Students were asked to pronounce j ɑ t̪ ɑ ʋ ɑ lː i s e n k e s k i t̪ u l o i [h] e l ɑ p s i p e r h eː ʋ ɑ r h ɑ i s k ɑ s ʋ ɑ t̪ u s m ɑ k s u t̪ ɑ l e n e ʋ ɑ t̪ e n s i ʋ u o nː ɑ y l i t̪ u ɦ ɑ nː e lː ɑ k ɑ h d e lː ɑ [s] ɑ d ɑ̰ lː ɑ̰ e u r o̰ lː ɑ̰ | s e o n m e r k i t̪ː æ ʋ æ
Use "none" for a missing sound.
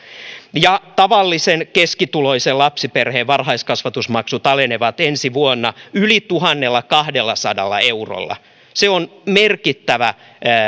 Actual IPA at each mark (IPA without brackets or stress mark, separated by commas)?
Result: s, s